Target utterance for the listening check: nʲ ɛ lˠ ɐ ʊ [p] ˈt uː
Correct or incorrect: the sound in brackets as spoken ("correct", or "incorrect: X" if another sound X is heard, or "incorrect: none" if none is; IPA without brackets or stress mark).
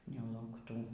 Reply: incorrect: k